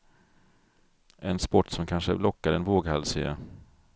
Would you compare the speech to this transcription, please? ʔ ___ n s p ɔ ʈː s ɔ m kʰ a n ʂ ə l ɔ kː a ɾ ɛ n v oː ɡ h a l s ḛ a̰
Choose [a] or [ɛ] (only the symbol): ɛ